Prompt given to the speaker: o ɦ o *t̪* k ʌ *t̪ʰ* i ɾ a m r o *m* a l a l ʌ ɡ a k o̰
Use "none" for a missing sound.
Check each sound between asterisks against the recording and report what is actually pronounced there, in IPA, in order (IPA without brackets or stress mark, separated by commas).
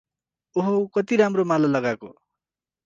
none, t̪, m